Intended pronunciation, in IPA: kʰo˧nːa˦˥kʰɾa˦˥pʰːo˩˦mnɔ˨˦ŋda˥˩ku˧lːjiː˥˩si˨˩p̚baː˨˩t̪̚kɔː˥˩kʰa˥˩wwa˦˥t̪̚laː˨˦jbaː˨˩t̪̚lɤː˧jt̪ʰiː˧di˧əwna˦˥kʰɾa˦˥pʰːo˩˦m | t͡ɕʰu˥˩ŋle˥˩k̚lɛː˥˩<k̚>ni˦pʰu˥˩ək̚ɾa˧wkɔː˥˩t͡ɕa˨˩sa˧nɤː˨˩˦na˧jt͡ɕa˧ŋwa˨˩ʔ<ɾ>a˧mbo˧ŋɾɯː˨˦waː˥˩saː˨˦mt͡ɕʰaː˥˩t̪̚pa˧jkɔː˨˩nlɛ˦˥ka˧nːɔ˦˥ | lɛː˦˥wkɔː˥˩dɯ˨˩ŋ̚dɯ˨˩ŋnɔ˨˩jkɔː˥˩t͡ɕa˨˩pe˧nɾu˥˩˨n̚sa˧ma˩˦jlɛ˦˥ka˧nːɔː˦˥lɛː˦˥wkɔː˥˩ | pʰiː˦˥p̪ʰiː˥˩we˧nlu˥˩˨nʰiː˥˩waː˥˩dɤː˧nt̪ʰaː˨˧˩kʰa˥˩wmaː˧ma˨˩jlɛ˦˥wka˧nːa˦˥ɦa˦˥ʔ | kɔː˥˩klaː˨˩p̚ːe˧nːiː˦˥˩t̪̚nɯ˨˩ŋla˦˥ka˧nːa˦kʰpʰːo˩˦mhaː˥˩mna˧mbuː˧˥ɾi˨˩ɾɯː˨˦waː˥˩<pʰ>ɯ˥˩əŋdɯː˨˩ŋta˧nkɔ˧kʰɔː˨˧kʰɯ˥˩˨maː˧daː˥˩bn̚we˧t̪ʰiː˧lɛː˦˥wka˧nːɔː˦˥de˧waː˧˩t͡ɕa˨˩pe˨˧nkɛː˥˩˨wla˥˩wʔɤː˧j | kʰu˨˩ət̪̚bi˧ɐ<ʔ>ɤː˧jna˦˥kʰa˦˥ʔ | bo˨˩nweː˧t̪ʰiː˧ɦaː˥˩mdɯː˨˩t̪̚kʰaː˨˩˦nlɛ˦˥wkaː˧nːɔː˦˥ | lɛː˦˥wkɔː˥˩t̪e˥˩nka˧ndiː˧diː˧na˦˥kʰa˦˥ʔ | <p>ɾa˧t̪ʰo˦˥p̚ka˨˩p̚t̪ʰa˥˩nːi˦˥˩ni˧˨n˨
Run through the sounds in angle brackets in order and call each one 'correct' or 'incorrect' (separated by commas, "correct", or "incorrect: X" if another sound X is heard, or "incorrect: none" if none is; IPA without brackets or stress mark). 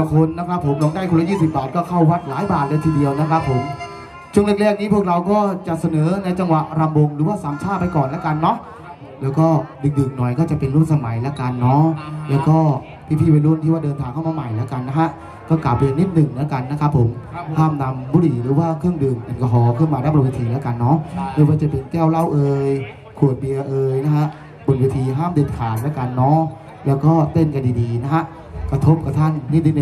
correct, correct, incorrect: kʰ, correct, incorrect: k